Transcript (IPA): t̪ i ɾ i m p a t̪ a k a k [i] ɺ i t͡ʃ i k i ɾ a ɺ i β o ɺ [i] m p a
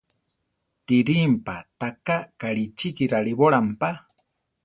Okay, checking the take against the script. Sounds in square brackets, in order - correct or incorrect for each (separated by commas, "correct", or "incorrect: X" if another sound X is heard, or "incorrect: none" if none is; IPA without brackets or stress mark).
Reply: incorrect: a, incorrect: a